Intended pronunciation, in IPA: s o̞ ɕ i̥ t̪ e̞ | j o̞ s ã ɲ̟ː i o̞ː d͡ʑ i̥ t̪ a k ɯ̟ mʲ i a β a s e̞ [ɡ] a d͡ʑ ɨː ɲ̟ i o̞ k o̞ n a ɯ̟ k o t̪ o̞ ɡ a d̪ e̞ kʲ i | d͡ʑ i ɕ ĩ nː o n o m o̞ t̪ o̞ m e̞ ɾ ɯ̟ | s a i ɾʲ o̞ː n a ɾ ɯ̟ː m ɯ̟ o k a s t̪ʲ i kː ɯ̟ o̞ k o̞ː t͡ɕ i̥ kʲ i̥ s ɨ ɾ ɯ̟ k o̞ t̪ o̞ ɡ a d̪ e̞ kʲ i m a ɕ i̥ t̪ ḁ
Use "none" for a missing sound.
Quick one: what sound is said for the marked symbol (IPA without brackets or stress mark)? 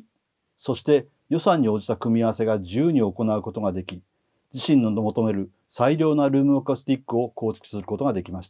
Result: ɡ